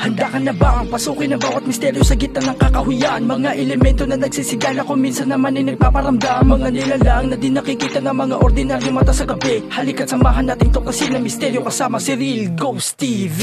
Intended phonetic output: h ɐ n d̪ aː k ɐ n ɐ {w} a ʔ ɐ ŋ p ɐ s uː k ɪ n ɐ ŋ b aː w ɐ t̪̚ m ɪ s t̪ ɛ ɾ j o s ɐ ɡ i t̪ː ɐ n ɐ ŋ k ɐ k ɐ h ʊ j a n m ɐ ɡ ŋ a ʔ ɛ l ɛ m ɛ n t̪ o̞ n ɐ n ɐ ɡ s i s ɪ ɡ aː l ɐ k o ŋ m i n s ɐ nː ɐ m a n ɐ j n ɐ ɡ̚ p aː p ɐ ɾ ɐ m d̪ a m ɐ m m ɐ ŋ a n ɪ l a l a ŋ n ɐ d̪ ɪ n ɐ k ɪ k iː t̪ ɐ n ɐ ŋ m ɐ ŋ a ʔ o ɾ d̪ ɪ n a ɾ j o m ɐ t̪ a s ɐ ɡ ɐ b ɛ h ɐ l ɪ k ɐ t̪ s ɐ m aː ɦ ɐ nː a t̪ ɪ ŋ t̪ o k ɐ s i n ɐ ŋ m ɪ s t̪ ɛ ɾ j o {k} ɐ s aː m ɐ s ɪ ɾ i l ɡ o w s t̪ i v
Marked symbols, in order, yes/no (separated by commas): no, yes